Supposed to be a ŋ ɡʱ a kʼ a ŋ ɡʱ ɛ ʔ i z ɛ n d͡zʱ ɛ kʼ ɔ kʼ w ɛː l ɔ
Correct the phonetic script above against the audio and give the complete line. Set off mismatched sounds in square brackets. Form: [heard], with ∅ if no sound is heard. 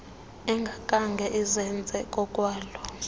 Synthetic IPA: [ɛ] ŋ ɡʱ a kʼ a ŋ ɡʱ ɛ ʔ i z ɛ n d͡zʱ ɛ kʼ ɔ kʼ w [aː] l ɔ